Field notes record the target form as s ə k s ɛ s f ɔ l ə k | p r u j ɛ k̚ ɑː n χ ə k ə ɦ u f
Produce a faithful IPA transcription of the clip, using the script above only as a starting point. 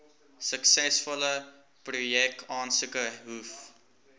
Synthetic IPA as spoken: s ə k s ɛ s f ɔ l ə | p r u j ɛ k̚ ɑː n s ə k ə ɦ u f